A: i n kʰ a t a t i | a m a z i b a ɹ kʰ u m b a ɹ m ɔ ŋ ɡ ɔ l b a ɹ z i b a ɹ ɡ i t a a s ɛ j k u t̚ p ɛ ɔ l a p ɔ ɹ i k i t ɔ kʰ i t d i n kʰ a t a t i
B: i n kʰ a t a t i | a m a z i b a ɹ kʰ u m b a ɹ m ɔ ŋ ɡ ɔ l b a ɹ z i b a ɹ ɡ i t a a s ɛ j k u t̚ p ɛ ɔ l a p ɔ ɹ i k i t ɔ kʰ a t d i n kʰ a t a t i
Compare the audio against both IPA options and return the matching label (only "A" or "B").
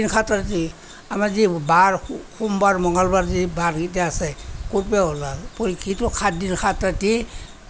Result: B